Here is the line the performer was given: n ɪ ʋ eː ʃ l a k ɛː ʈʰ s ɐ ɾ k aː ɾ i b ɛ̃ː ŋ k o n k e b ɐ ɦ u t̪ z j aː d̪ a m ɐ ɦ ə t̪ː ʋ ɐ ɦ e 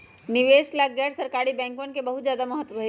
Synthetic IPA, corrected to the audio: n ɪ ʋ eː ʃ l a ɡ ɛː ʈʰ s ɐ ɾ k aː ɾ i b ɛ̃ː ŋ k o n k e b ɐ ɦ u t̪ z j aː d̪ a m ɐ ɦ ə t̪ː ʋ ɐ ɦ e